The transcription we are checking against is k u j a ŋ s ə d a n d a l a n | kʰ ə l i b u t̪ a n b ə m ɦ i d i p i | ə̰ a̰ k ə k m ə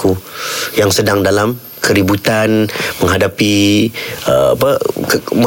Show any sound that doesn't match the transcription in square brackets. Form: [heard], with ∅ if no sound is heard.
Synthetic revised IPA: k u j a ŋ s ə d a [ŋ] d a l a [m] | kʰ ə [ɾ] i b u t̪ a n [m] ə [ŋ] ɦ [a] d [a] p i | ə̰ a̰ [p] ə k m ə